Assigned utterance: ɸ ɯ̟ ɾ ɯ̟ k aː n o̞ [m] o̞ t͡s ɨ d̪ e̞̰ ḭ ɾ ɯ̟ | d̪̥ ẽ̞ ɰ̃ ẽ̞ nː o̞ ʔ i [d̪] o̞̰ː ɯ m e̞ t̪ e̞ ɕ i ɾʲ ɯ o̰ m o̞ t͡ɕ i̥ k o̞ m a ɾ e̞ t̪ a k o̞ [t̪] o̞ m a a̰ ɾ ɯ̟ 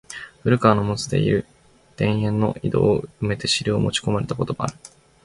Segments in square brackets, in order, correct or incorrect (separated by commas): correct, correct, correct